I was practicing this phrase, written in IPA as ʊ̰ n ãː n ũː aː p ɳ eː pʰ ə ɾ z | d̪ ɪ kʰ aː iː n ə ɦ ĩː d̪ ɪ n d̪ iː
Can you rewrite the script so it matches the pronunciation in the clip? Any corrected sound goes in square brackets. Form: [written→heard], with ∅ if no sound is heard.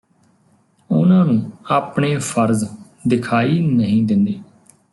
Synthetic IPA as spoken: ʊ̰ n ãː n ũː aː p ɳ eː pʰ ə ɾ z | d̪ ɪ kʰ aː iː n ə ɦ ĩː d̪ ɪ n d̪ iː